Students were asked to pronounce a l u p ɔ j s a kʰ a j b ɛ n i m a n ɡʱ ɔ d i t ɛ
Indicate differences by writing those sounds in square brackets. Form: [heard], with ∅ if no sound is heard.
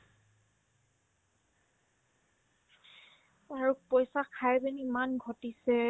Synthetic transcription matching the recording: a [ɹ] u p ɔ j s a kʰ a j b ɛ n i m a n ɡʱ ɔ [t] i [s] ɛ